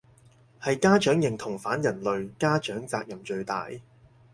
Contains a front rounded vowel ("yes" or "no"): yes